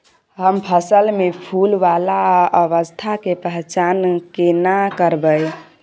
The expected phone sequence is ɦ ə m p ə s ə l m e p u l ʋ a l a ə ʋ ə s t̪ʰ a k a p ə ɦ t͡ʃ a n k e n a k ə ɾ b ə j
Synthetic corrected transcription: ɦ ə m pʰ ə s ə l m e pʰ u l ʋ a l a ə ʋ ə s t̪ʰ a k e p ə ɦ t͡ʃ a n k e n a k ə ɾ b ə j